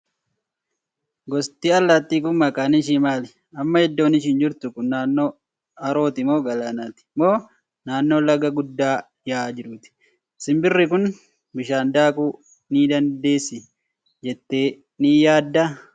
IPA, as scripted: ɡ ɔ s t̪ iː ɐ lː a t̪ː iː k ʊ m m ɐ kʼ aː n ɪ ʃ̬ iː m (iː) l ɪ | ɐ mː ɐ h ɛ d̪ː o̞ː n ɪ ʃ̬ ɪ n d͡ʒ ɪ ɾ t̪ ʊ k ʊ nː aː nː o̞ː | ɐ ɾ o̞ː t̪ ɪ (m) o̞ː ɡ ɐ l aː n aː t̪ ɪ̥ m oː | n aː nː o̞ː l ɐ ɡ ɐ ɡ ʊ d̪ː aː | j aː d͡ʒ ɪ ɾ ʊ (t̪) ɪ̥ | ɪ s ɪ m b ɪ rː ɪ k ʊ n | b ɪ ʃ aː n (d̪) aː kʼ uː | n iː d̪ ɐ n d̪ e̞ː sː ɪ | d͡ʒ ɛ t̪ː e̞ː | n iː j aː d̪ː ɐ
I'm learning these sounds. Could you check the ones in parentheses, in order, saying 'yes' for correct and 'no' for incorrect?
no, yes, yes, yes

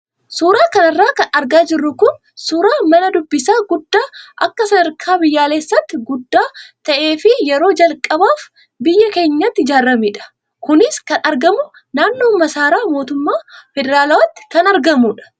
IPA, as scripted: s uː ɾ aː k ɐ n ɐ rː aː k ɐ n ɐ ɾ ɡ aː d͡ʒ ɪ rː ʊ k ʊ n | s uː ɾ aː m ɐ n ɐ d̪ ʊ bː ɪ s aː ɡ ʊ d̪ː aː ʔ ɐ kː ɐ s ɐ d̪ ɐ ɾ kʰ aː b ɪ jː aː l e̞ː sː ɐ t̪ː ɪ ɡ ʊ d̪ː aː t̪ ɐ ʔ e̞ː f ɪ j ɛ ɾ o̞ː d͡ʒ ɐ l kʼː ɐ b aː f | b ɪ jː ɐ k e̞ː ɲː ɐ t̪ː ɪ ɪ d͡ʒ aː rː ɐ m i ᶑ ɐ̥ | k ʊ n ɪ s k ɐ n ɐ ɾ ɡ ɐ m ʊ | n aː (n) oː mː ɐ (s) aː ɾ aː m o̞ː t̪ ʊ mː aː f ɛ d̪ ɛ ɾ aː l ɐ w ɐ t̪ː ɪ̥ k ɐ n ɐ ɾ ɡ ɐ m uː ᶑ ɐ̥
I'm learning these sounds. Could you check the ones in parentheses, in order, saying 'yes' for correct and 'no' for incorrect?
no, yes

